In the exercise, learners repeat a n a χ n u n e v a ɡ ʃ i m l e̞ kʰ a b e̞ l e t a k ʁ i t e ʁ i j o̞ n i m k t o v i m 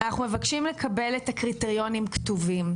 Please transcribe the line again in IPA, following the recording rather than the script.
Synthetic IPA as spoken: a n a χ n u m e v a k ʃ i m l e̞ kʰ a b e̞ l e t a k ʁ i t e ʁ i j o̞ n i m k t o v i m